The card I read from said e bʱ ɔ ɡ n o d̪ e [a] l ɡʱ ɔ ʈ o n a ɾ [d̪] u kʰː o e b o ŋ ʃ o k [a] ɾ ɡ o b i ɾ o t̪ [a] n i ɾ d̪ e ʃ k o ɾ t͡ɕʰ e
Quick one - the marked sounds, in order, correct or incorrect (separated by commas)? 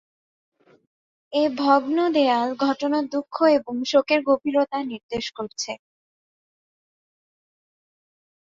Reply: correct, correct, incorrect, correct